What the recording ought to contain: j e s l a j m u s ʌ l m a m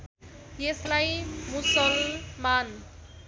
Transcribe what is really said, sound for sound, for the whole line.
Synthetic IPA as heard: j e s l a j m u s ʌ l m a n